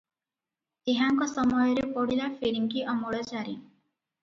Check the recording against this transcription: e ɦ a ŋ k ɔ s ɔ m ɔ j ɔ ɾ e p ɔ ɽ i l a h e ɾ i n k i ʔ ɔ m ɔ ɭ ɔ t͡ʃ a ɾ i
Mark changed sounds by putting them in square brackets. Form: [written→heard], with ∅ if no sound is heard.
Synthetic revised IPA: e ɦ a ŋ k ɔ s ɔ m ɔ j ɔ ɾ e p ɔ ɽ i l a [h→f] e ɾ i [n→ŋ] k i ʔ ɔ m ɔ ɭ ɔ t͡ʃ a ɾ i

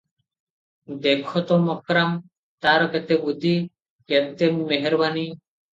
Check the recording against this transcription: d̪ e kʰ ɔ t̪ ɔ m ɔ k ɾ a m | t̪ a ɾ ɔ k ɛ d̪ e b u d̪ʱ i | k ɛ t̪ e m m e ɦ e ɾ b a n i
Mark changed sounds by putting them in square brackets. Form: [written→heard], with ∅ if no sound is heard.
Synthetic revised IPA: d̪ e kʰ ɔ t̪ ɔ m ɔ k ɾ a m | t̪ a ɾ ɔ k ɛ [d̪→t̪] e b u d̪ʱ i | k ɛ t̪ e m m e ɦ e ɾ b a n i

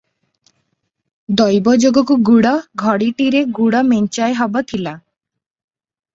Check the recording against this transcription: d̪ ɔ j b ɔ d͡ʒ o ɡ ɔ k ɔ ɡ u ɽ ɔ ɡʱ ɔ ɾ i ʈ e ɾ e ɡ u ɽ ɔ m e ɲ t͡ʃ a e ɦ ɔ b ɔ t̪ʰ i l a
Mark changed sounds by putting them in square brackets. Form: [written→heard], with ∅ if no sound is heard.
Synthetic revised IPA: d̪ ɔ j b ɔ d͡ʒ o ɡ ɔ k [ɔ→u] ɡ u ɽ ɔ ɡʱ ɔ [ɾ→ɽ] i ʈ [e→i] ɾ e ɡ u ɽ ɔ m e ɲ t͡ʃ a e ɦ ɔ b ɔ t̪ʰ i l a

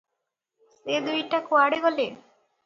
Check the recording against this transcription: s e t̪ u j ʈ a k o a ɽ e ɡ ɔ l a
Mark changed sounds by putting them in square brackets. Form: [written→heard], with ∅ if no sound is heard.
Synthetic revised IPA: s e [t̪→d̪] u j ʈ a k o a ɽ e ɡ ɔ l [a→e]

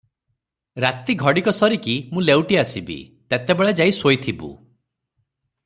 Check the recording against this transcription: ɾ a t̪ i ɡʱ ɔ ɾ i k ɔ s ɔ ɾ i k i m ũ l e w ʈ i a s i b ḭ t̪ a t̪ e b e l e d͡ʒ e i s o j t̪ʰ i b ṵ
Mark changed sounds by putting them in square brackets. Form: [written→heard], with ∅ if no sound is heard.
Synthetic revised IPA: ɾ a t̪ i ɡʱ ɔ [ɾ→ɽ] i k ɔ s ɔ ɾ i k i m ũ l e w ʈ i a s i b ḭ t̪ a t̪ e b e [l→ɭ] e d͡ʒ [e→a] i s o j t̪ʰ i b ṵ

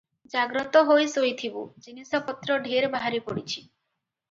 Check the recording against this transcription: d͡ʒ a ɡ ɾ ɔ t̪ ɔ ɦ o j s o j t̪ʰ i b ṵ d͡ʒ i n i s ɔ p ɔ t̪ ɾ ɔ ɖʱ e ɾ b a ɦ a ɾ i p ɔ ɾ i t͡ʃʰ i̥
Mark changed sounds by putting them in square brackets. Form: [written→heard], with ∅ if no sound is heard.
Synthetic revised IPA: d͡ʒ a ɡ ɾ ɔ t̪ ɔ ɦ o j s o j t̪ʰ i b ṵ d͡ʒ i n i s ɔ p ɔ t̪ ɾ ɔ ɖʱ e ɾ b a ɦ a ɾ i p ɔ [ɾ→ɽ] i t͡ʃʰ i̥

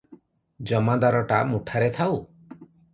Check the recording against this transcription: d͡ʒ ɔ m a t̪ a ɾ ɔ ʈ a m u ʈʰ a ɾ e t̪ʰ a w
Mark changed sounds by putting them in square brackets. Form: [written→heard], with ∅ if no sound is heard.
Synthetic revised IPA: d͡ʒ ɔ m a [t̪→d̪] a ɾ ɔ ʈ a m u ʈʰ a ɾ e t̪ʰ a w

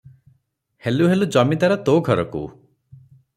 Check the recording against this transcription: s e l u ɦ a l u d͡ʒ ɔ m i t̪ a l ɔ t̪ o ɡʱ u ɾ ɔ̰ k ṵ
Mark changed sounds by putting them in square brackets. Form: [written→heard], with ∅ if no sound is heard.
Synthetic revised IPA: [s→h] e l u ɦ [a→e] l u d͡ʒ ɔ m i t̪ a [l→ɾ] ɔ t̪ o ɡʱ [u→ɔ] ɾ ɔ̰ k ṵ

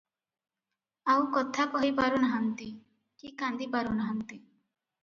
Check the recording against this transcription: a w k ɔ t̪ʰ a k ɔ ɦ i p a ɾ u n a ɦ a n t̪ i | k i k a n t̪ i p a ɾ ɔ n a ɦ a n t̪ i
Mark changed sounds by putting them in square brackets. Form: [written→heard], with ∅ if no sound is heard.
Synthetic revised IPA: a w k ɔ t̪ʰ a k ɔ ɦ i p a ɾ u n a ɦ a n t̪ i | k i k a n [t̪→d̪] i p a ɾ [ɔ→u] n a ɦ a n t̪ i

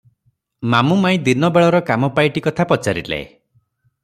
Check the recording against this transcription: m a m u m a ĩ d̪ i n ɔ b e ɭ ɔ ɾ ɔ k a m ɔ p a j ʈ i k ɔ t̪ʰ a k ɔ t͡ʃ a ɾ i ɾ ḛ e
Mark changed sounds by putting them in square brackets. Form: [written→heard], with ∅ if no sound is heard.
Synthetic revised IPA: m a m u m a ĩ d̪ i n ɔ b e ɭ ɔ ɾ ɔ k a m ɔ p a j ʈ i k ɔ t̪ʰ a [k→p] ɔ t͡ʃ a ɾ i [ɾ→l] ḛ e

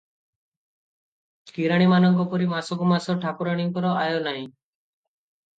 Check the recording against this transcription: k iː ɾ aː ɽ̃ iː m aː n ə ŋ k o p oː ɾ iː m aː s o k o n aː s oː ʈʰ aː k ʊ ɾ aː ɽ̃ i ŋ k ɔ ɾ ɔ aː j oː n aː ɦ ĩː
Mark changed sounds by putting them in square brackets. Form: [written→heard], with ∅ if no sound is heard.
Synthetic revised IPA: k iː ɾ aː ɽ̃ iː m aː n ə ŋ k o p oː ɾ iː m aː s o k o [n→m] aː s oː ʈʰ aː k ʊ ɾ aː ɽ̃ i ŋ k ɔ ɾ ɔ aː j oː n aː ɦ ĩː

